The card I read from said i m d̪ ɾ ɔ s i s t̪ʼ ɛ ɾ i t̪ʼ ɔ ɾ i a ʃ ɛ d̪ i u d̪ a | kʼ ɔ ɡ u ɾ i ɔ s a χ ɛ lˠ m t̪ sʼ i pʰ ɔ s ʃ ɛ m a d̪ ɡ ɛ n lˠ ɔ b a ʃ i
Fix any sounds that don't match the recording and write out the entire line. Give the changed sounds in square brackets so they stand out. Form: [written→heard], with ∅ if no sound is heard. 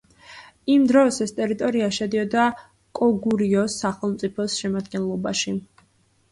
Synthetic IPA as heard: i m d̪ ɾ ɔ s [i→ɛ] s t̪ʼ ɛ ɾ i t̪ʼ ɔ ɾ i a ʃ ɛ d̪ i [u→ɔ] d̪ a | kʼ ɔ ɡ u ɾ i ɔ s a χ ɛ lˠ m t̪ sʼ i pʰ ɔ s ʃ ɛ m a d̪ ɡ ɛ n lˠ ɔ b a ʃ i